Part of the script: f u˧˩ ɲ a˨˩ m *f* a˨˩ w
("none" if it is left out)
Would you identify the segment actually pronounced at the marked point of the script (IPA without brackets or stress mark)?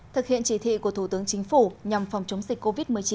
f